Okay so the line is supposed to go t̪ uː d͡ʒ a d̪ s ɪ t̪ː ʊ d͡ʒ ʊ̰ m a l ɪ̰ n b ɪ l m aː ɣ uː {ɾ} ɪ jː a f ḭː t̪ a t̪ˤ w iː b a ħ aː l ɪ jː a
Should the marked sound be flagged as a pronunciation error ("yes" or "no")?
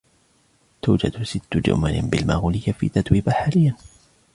yes